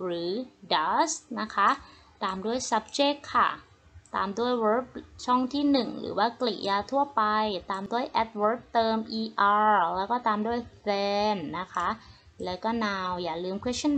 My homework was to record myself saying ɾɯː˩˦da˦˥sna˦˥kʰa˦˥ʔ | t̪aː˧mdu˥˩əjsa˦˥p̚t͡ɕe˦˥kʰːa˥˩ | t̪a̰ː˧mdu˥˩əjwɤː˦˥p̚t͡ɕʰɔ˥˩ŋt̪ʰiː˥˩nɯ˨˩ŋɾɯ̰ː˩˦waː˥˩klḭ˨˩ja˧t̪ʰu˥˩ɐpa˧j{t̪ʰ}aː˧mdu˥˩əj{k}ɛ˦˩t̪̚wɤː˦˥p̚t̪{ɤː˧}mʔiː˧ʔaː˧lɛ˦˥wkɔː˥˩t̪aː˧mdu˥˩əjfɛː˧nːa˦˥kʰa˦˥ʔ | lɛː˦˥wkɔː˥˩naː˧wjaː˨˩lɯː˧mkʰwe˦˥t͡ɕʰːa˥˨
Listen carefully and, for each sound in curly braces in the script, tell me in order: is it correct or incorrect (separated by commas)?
incorrect, incorrect, correct